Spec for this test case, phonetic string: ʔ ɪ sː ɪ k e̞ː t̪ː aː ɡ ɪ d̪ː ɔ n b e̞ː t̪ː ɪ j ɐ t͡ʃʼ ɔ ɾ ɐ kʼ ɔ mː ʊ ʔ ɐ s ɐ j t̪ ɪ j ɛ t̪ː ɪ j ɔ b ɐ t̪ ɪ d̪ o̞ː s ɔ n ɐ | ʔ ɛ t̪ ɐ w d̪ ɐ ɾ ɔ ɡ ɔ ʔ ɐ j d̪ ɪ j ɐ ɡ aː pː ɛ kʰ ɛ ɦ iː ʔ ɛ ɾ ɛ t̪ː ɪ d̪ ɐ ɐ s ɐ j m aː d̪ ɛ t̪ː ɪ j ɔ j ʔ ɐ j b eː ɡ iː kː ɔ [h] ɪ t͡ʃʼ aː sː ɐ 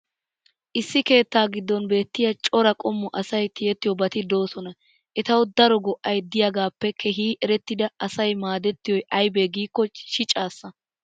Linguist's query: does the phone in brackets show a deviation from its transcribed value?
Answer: yes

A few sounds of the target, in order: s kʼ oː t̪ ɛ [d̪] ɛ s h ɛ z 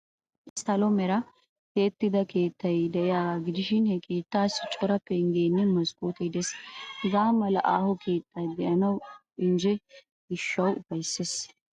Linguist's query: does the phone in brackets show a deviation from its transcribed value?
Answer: no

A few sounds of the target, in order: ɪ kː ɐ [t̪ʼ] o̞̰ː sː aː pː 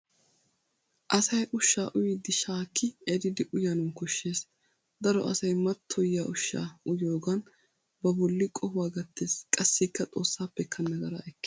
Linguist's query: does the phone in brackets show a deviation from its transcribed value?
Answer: no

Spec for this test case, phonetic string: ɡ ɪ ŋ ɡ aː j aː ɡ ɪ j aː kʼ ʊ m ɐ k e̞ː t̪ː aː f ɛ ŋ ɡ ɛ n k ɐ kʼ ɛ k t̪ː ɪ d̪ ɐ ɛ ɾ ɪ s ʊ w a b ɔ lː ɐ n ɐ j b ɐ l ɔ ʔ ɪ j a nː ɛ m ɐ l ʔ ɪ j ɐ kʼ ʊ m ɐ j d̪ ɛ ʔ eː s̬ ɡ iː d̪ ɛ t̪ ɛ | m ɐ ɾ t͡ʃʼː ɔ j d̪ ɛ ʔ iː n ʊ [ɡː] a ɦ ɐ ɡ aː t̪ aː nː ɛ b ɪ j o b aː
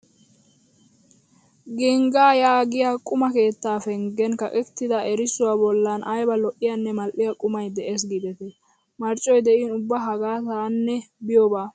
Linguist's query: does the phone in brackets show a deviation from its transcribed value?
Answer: yes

